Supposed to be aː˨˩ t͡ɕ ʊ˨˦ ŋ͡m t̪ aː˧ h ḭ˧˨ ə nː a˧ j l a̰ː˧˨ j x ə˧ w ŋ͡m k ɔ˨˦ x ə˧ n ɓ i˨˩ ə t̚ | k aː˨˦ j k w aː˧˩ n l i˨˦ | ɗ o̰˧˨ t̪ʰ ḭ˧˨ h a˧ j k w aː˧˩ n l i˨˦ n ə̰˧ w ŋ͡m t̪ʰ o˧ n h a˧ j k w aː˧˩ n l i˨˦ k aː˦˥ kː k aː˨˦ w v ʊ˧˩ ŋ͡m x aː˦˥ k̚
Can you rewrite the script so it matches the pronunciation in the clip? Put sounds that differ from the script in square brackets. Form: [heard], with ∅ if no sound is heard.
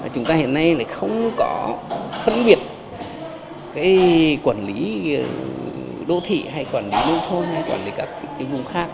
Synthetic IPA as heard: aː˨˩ t͡ɕ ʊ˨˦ ŋ͡m t̪ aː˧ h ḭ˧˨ ə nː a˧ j l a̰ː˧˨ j x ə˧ w ŋ͡m k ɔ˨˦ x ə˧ n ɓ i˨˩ ə t̚ | k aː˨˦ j k w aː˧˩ n l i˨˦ | ɗ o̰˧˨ t̪ʰ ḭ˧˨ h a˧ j k w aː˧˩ n l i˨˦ n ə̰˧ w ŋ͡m t̪ʰ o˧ n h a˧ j k w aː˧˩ n l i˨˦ k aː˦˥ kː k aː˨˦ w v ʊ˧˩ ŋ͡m x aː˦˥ k̚